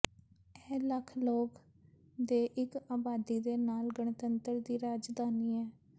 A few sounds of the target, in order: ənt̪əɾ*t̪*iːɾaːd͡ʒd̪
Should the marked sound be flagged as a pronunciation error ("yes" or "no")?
yes